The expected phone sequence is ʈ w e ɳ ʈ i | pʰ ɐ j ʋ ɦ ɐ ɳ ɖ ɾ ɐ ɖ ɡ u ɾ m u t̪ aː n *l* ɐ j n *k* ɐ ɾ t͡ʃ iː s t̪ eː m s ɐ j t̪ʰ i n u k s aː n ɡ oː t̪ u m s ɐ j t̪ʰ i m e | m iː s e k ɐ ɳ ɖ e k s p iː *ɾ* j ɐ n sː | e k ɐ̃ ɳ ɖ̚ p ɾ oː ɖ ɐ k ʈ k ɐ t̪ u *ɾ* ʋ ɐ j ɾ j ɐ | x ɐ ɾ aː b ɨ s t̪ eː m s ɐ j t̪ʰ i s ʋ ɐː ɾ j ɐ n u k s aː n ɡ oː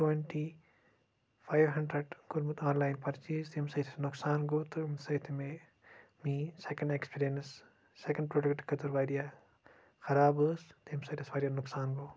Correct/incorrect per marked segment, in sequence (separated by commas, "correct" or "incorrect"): correct, incorrect, correct, correct